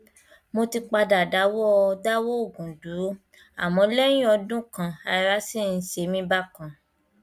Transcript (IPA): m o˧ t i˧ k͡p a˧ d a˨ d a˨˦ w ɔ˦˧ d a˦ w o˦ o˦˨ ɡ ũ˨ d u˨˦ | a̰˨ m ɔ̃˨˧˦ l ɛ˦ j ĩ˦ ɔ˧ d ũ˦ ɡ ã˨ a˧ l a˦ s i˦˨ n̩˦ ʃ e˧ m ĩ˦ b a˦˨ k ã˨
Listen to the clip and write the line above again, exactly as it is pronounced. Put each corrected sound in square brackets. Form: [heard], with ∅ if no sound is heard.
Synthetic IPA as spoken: m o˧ t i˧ k͡p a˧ d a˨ d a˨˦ w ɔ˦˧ d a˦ w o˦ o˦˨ ɡ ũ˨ d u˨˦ | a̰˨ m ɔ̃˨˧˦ l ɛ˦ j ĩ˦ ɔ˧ d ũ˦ [k] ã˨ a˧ [ɾ] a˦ s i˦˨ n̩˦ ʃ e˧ m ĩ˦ b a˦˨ k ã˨

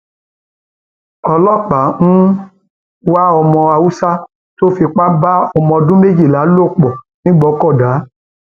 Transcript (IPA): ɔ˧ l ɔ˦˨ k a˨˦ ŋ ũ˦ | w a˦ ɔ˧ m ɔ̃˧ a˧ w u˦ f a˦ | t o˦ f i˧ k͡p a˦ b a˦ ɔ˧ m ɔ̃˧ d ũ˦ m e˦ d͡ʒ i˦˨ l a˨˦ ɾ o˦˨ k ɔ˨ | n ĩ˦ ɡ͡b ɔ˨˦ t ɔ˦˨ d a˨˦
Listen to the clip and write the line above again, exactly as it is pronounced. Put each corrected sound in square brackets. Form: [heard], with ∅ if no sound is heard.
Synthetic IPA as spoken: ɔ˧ l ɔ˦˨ [k͡p] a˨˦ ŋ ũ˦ | w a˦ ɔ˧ m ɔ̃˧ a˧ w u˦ [s] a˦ | t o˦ f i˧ k͡p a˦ b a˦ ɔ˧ m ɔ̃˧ d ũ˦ m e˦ d͡ʒ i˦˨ l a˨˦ [l] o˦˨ [k͡p] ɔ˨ | n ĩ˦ ɡ͡b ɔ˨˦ [k] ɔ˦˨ d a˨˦

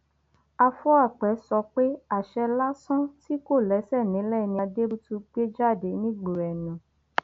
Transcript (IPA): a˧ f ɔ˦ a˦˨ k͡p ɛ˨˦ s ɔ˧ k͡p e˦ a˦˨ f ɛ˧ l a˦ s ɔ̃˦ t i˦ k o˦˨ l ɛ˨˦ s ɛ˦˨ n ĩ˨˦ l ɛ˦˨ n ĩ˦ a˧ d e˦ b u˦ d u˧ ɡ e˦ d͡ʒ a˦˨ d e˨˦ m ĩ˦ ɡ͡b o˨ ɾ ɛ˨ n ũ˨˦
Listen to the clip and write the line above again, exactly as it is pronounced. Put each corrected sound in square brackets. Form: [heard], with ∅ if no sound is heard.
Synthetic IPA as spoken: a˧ f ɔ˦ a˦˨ k͡p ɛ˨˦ s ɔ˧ k͡p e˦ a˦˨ [ʃ] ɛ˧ l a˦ s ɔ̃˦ t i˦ k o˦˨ l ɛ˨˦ s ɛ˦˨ n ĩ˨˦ l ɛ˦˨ n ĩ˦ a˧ d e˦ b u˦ [t] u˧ [ɡ͡b] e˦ d͡ʒ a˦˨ d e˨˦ [n] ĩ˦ ɡ͡b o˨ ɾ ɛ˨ n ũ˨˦

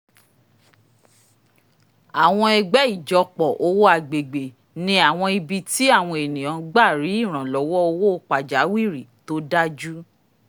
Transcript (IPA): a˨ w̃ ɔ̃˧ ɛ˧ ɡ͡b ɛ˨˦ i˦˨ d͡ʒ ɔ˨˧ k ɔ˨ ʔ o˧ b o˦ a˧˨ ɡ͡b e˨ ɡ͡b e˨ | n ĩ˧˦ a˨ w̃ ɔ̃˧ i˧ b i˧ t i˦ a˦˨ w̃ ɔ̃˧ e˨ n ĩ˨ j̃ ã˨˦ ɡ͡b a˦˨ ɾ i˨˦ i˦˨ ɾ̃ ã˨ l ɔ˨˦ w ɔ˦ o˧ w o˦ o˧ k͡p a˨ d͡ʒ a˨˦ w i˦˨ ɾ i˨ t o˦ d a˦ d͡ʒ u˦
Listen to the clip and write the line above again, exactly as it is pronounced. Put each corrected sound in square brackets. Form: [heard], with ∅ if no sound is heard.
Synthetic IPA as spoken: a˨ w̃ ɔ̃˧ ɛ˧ ɡ͡b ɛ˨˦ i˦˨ d͡ʒ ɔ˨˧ [k͡p] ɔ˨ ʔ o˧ [w] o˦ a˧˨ ɡ͡b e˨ ɡ͡b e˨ | n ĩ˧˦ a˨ w̃ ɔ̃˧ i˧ b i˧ t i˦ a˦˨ w̃ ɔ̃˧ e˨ n ĩ˨ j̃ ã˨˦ ɡ͡b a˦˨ ɾ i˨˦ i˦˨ ɾ̃ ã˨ l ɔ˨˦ w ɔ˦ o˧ w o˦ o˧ k͡p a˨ d͡ʒ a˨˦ w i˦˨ ɾ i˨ t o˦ d a˦ d͡ʒ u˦

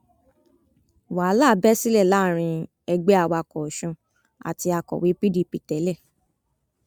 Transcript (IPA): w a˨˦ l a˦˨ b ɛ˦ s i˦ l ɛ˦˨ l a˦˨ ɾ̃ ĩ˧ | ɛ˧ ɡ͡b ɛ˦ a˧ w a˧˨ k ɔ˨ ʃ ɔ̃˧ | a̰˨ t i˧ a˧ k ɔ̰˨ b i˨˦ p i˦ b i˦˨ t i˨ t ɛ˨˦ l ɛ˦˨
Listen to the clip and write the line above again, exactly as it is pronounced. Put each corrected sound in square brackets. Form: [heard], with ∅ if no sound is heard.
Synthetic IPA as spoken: w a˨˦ l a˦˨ b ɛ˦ s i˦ l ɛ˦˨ l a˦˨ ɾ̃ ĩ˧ | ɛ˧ ɡ͡b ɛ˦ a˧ w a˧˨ k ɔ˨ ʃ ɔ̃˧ | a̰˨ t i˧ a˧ k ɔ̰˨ [w] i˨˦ p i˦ [d] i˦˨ [p] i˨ t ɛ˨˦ l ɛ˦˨

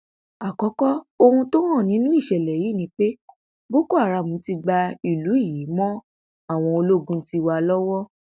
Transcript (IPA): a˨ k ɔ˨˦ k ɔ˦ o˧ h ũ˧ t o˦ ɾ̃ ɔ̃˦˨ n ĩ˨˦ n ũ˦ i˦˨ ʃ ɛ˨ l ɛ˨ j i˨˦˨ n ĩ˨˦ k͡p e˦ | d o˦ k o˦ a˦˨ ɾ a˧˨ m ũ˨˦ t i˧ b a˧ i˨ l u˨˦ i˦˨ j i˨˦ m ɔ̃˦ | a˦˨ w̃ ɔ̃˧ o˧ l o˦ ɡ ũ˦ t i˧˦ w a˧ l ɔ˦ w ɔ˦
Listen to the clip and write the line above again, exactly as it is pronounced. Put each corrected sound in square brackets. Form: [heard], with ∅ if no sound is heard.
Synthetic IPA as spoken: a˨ k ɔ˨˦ k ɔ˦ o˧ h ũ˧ t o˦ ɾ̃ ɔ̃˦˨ n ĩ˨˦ n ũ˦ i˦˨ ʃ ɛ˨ l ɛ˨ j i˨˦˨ n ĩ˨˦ k͡p e˦ | [b] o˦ k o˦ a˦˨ ɾ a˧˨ m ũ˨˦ t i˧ [ɡ͡b] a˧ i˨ l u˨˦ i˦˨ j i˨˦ m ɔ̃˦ | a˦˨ w̃ ɔ̃˧ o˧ l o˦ ɡ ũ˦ t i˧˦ w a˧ l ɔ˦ w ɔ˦

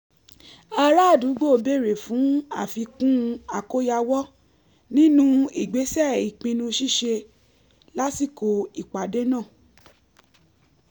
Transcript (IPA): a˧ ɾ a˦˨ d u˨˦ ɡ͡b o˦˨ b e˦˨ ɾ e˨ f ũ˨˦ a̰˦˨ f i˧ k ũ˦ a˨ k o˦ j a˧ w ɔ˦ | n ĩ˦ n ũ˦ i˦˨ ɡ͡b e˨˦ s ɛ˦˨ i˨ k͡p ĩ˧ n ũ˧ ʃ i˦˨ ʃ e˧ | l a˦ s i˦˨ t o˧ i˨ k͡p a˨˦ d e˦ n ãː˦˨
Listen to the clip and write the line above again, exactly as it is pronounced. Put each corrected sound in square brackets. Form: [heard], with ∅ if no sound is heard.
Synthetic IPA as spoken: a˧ ɾ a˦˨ d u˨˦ ɡ͡b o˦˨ b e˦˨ ɾ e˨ f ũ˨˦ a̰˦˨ f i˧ k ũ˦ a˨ k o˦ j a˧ w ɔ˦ | n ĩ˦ n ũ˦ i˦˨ ɡ͡b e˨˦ s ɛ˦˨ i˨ k͡p ĩ˧ n ũ˧ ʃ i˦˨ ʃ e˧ | l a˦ s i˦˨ [k] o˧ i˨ k͡p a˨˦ d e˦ n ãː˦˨

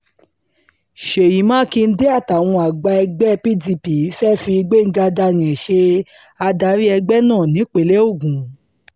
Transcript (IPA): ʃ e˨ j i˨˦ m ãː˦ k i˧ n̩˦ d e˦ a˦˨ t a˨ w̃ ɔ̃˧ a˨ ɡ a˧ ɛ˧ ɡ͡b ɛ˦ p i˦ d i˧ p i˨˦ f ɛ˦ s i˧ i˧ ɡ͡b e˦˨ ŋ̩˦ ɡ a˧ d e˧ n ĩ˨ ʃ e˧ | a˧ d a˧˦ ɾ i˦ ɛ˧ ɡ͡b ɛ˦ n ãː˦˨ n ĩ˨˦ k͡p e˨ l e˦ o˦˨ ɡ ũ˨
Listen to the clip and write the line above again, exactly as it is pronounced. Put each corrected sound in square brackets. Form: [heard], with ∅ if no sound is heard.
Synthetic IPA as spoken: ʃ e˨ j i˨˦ m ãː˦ k i˧ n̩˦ d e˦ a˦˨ t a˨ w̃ ɔ̃˧ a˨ [ɡ͡b] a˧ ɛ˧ ɡ͡b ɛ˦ p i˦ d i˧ p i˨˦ f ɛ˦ [f] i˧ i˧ ɡ͡b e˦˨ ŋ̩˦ ɡ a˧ d [a˧] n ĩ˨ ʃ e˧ | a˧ d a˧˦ ɾ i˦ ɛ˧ ɡ͡b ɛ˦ n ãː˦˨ n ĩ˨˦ k͡p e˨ l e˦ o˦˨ ɡ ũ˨

